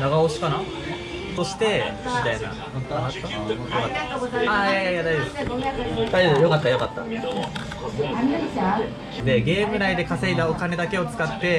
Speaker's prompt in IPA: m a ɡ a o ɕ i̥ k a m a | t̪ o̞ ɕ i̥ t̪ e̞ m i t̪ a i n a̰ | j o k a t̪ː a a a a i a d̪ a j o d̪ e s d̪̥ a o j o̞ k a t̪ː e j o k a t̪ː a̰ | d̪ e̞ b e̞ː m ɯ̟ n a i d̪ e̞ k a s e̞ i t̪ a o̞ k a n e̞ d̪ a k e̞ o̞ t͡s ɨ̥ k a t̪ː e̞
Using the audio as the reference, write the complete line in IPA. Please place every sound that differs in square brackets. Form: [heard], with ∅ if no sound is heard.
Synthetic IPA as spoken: [n] a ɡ a o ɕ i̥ k a [n] a | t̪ o̞ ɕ i̥ t̪ e̞ m i t̪ a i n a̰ | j o k a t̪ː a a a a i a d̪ a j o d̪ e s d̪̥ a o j o̞ k a t̪ː [a] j o k a t̪ː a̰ | d̪ e̞ [ɡ] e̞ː m ɯ̟ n a i d̪ e̞ k a s e̞ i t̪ a o̞ k a n e̞ d̪ a k e̞ o̞ t͡s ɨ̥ k a t̪ː e̞